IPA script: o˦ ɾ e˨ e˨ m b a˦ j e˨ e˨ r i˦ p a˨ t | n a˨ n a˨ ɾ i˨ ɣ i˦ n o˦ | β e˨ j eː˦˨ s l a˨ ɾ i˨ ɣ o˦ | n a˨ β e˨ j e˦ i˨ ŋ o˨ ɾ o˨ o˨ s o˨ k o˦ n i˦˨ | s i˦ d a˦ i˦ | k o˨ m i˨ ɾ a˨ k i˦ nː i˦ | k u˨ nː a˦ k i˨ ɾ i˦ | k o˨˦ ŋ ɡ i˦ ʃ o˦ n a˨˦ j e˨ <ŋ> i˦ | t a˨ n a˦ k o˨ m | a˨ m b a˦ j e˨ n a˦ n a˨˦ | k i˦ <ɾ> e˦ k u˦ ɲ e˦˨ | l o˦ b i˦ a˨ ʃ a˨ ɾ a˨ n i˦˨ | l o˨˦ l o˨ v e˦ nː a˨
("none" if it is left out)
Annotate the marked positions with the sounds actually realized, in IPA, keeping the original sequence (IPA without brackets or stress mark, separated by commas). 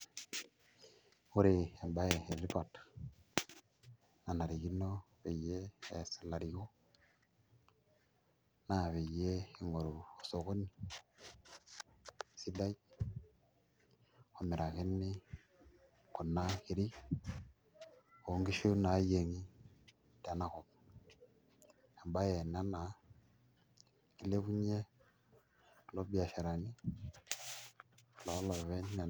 ŋ, l